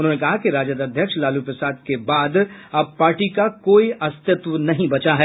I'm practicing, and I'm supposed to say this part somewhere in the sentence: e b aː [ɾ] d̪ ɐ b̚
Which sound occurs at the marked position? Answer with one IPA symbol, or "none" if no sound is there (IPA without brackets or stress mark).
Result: none